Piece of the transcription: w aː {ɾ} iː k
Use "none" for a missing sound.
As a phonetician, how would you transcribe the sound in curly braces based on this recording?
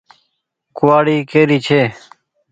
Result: ɽ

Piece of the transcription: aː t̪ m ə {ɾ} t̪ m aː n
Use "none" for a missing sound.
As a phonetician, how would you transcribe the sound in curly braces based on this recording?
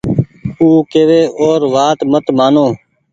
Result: none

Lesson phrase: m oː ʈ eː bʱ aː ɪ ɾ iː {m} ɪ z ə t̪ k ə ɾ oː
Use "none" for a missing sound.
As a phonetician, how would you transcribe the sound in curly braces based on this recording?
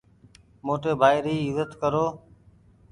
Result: none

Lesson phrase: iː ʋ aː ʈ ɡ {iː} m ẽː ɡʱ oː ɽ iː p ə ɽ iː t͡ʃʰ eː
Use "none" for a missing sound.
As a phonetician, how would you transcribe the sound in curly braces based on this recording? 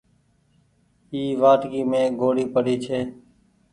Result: iː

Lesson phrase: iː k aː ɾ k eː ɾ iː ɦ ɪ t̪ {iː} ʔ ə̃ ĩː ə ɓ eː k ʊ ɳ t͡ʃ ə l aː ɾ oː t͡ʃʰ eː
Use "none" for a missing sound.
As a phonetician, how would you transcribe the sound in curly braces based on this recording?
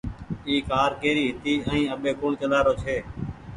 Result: iː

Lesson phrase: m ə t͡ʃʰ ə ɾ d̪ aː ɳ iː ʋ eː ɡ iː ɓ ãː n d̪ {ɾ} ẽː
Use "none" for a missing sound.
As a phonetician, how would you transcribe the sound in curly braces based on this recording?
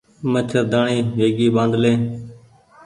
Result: l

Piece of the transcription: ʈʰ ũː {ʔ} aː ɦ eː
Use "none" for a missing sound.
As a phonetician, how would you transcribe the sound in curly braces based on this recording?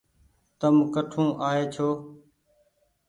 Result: ʔ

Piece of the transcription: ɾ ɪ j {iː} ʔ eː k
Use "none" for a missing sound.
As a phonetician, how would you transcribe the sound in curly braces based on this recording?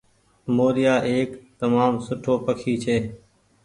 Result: aː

